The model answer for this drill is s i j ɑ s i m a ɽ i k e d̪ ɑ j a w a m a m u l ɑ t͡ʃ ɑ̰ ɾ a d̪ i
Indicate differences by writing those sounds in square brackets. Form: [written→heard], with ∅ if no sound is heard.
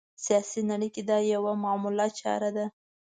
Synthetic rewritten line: s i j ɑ s i [m→n] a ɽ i k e d̪ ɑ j a w a m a m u l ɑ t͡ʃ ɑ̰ ɾ a d̪ [i→a]